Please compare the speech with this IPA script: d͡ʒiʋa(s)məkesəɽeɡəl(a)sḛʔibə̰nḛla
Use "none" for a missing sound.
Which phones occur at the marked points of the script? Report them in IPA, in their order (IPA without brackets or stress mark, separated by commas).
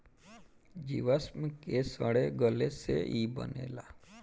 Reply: s, e